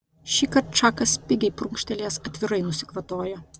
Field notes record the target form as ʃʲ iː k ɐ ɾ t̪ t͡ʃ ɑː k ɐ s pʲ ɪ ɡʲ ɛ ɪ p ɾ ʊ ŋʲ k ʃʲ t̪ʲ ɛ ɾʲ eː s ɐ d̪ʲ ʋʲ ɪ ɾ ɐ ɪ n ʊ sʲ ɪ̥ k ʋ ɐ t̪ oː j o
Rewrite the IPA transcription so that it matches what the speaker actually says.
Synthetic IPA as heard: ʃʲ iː k ɐ ɾ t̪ t͡ʃ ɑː k ɐ s pʲ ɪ ɡʲ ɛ ɪ p ɾ ʊ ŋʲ k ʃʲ t̪ʲ ɛ lʲ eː s ɐ t̪ʲ ʋʲ ɪ ɾ ɐ ɪ n ʊ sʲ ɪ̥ k ʋ ɐ t̪ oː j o